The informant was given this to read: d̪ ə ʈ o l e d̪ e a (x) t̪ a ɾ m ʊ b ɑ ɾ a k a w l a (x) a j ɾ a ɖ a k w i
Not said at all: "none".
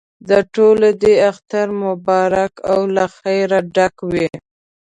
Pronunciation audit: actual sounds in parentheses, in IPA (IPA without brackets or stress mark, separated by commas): x, x